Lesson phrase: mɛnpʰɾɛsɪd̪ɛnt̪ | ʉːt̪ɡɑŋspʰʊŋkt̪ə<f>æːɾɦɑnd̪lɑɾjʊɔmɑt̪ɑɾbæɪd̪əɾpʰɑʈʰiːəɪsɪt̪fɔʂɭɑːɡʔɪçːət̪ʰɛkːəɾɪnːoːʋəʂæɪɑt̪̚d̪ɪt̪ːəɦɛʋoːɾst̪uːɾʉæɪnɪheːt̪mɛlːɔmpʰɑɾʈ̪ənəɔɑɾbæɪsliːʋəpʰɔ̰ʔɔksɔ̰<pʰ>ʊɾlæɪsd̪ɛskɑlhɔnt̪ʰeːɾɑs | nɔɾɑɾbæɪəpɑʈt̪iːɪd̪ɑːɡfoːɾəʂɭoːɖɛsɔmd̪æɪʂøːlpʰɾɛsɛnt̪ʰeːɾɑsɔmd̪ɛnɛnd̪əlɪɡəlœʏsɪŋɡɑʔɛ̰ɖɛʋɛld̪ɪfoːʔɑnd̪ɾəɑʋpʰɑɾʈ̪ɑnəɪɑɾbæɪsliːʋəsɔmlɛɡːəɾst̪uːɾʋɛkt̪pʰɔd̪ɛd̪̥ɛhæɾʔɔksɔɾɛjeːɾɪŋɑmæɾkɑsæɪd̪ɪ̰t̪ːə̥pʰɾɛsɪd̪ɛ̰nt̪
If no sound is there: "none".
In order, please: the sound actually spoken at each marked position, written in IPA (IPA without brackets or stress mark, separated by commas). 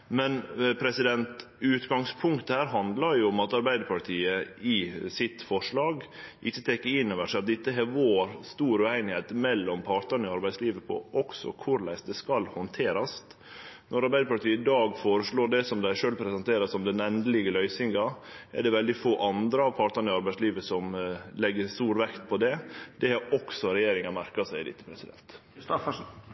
h, kʰ